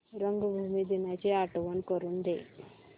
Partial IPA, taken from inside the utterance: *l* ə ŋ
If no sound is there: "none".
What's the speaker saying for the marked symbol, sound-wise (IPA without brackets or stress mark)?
ɾ